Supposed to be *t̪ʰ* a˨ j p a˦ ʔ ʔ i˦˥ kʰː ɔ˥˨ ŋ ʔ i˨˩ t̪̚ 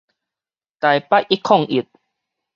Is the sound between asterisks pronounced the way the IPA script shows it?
no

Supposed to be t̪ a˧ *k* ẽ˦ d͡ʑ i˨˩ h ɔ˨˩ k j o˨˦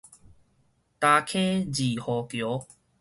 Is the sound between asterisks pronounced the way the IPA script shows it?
no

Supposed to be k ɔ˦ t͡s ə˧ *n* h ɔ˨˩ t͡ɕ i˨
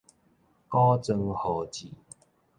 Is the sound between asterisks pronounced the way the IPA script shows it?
no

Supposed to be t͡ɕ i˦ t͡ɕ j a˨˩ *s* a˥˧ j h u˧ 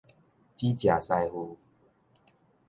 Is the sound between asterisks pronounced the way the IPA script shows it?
yes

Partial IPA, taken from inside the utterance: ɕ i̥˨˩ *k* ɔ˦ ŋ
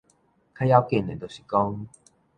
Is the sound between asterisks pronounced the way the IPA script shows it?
yes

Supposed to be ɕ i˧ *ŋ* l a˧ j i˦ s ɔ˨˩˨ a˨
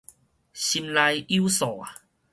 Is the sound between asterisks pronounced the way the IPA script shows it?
no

